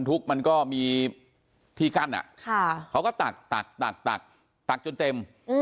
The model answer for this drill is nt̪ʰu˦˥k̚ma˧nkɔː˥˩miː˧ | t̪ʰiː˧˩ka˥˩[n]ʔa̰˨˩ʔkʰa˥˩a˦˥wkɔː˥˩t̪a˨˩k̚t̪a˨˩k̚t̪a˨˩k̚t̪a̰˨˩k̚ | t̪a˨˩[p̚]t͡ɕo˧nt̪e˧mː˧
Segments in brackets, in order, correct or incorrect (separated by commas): correct, incorrect